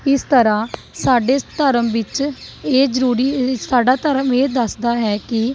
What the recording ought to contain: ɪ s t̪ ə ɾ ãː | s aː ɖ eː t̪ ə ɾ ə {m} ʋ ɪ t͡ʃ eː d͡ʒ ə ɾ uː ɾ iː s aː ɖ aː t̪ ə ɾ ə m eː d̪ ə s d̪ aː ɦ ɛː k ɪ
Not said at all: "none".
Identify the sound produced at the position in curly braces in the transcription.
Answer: m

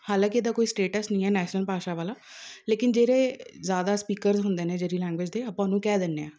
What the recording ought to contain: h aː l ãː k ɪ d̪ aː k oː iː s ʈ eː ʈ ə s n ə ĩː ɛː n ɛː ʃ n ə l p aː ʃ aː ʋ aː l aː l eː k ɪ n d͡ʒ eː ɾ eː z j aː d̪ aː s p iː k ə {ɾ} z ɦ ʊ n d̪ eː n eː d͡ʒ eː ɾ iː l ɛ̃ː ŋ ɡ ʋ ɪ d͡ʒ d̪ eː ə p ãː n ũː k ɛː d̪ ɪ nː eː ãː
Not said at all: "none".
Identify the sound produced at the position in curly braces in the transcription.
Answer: ɾ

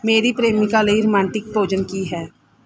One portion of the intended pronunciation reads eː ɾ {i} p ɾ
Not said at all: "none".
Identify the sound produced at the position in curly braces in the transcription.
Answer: i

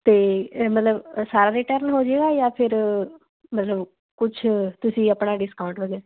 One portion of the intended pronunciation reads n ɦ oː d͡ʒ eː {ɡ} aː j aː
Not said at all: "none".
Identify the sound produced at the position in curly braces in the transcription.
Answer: ɡ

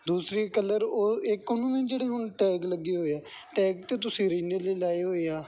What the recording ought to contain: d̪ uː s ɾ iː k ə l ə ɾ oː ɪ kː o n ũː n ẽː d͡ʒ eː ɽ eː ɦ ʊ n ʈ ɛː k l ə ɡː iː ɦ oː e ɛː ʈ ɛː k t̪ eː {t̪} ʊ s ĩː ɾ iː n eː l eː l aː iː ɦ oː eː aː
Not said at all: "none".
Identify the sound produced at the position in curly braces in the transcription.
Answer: t̪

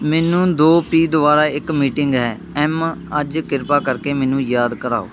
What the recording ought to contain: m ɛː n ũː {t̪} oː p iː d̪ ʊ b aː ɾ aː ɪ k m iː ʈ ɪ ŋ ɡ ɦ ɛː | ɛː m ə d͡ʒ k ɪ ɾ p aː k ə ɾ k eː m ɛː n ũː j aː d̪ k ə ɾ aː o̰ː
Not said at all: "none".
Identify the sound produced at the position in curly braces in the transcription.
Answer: d̪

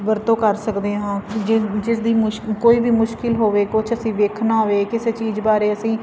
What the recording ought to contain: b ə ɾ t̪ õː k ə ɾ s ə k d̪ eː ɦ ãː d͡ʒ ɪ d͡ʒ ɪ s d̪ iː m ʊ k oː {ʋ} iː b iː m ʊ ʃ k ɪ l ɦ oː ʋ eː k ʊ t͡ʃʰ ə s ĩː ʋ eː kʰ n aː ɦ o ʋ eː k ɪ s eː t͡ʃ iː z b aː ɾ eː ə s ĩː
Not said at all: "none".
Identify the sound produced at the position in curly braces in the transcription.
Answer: none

